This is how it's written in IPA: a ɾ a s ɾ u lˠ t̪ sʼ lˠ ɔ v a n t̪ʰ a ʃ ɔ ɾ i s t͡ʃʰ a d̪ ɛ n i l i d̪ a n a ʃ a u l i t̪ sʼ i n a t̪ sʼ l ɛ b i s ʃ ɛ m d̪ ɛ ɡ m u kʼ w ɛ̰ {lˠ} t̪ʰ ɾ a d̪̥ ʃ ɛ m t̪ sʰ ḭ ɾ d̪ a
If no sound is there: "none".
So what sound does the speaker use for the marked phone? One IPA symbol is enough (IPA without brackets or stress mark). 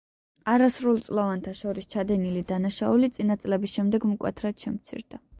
none